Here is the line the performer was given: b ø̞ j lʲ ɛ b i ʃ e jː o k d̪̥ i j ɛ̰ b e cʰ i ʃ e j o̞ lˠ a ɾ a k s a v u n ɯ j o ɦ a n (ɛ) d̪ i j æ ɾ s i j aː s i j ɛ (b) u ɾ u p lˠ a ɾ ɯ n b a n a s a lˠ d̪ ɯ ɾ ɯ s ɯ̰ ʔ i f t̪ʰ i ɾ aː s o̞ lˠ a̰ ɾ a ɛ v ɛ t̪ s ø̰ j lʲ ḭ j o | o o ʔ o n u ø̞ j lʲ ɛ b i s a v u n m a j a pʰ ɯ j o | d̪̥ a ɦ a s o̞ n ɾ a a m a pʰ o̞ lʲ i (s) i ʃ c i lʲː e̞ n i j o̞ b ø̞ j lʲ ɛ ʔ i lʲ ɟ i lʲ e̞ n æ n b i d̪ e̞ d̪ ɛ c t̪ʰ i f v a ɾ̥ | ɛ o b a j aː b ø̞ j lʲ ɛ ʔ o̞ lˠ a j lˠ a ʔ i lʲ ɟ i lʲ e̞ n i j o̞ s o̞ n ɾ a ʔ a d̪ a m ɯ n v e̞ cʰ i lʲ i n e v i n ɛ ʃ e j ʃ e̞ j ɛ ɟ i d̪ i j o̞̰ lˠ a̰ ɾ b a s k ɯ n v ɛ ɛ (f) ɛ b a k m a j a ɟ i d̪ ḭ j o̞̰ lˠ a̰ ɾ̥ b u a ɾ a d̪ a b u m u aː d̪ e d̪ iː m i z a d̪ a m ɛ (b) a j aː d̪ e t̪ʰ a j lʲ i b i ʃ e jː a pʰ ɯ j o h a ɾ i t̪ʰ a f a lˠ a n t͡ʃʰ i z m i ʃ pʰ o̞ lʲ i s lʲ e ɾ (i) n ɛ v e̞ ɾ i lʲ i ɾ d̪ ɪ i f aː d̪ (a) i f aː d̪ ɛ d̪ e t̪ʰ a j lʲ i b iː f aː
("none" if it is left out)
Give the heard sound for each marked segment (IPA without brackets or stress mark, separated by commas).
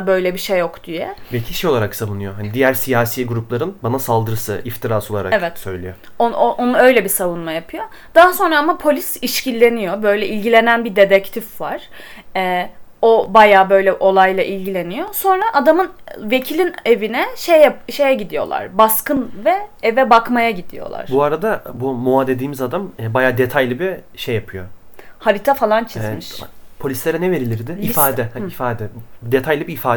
i, ɡ, s, v, b, ɛ, ɛ